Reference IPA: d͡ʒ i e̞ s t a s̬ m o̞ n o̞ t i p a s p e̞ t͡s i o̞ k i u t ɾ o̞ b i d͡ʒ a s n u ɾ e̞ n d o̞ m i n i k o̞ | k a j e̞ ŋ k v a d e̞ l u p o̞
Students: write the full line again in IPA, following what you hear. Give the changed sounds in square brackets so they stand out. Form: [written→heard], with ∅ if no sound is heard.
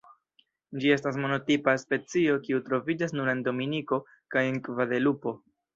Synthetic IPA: d͡ʒ i e̞ s t a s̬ m o̞ n o̞ t i p a s p e̞ t͡s i o̞ k i u t ɾ o̞ [b→v] i d͡ʒ a s n u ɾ e̞ n d o̞ m i n i k o̞ | k a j e̞ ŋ k v a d e̞ l u p o̞